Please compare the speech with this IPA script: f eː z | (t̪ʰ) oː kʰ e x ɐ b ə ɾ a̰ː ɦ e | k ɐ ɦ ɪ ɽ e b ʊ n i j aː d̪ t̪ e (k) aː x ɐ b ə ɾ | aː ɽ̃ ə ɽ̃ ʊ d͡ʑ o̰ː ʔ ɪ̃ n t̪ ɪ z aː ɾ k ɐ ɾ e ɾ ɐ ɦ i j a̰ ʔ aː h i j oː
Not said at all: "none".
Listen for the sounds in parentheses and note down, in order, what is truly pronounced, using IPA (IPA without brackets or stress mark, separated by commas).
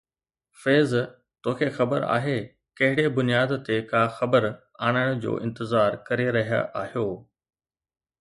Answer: t̪, k